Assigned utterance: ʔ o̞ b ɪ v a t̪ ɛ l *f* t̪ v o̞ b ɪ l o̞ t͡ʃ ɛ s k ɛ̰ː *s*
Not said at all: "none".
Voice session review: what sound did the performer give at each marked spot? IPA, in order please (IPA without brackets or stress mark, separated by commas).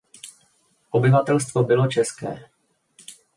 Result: s, none